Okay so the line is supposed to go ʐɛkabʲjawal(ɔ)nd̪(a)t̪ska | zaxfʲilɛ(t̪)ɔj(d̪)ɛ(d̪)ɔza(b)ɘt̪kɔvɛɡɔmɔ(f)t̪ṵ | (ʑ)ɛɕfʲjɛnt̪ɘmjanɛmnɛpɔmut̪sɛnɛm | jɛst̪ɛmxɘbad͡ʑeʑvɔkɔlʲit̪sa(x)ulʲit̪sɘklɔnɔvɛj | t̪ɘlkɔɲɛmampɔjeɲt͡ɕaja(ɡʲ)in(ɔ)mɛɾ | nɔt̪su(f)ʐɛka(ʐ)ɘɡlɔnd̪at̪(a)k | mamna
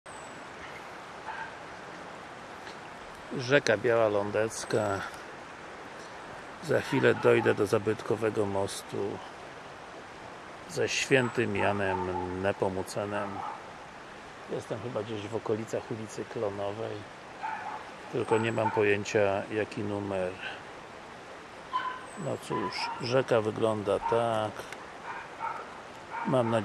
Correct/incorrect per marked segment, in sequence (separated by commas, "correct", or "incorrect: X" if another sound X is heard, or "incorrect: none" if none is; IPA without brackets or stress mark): correct, incorrect: ɛ, incorrect: d̪, correct, correct, correct, incorrect: s, incorrect: z, correct, incorrect: kʲ, incorrect: u, incorrect: ʂ, incorrect: v, correct